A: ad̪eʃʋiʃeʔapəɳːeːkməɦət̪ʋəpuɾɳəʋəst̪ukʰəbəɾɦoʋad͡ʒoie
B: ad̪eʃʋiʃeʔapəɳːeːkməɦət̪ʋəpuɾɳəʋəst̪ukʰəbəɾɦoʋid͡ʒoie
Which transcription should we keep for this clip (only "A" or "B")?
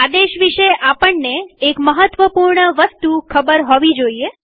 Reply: B